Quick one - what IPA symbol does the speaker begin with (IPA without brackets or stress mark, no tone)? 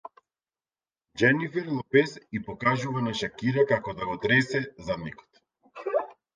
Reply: d͡ʒ